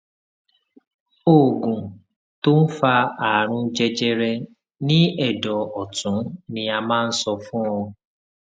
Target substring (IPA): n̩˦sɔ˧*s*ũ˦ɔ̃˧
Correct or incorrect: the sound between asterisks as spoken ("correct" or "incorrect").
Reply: incorrect